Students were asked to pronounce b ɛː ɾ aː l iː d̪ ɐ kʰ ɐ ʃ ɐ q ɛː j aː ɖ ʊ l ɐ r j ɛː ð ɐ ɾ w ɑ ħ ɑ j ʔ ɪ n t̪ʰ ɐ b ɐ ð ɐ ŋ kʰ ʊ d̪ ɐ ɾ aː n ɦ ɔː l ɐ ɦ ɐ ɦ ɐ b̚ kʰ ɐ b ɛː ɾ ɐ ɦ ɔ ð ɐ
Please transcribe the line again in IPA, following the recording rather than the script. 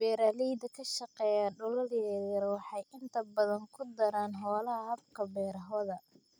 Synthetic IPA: b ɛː ɾ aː l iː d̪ ɐ kʰ ɐ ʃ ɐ q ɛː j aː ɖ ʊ l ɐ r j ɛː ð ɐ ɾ w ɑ ħ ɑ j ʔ ɪ n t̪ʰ ɐ b ɐ ð ɐ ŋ kʰ ʊ d̪ ɐ ɾ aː n ɦ ɔː l ɐ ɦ ɐ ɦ ɐ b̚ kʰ ɐ b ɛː ɾ ɐ ɦ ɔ ð ɐ